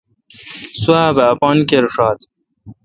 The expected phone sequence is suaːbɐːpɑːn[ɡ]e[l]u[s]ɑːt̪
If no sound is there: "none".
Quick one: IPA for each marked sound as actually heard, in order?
k, ɾ, ʂ

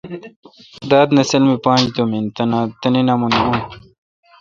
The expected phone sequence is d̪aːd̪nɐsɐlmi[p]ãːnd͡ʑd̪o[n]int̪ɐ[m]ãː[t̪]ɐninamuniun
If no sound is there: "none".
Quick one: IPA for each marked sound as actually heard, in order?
p, m, n, t̪

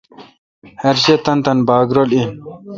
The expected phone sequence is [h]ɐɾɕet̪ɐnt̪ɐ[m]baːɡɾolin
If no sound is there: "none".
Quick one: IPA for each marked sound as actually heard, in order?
h, n

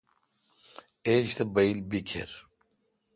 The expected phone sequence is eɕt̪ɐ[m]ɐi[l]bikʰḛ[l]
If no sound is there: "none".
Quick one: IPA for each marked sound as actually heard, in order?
b, l, ɾ

